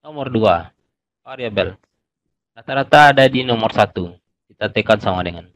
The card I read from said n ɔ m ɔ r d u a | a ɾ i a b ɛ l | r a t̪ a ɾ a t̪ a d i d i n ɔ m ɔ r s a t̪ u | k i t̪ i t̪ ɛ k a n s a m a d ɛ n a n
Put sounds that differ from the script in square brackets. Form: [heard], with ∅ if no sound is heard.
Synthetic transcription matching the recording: n ɔ m ɔ r d u a | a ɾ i a b ɛ l | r a t̪ a ɾ a t̪ a d [a] d i n ɔ m ɔ r s a t̪ u | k i t̪ [a] t̪ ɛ k a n s a m a d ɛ [ŋ] a n